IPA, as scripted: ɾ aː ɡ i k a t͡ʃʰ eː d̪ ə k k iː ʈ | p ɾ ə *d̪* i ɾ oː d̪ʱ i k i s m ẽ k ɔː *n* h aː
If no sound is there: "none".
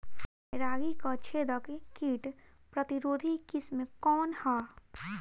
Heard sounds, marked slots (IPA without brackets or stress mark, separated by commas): t̪, n